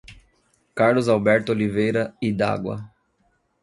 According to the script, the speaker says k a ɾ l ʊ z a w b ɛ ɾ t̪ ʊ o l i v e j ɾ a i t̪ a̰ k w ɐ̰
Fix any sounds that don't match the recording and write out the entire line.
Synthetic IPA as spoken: k a ɾ l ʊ z a w b ɛ ɾ t̪ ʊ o l i v e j ɾ ɐ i d̪ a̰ ɡ w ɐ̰